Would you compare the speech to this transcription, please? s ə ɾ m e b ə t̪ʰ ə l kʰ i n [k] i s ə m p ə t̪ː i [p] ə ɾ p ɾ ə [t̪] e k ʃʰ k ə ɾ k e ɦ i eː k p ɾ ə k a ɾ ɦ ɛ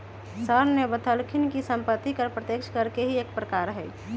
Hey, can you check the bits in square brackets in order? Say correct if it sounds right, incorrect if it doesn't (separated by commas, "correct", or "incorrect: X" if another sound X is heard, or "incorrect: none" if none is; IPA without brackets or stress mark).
correct, incorrect: k, correct